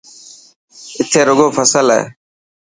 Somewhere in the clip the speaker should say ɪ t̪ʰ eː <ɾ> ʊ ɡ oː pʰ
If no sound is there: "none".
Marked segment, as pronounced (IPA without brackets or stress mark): ɾ